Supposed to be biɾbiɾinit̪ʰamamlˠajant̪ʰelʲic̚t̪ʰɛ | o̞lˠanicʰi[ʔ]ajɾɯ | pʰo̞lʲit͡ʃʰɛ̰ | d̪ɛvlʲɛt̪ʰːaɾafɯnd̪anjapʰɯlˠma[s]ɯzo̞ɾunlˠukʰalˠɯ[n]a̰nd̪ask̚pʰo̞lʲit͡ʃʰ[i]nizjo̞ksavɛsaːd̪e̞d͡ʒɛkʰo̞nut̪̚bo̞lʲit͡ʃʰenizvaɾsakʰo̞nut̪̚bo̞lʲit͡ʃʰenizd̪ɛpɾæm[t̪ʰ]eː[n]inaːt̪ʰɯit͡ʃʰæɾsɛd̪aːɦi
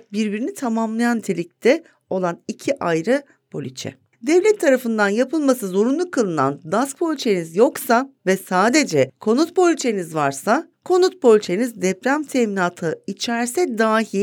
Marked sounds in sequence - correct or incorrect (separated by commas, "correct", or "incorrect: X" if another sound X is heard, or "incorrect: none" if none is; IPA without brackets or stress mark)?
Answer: correct, correct, correct, incorrect: e, correct, incorrect: m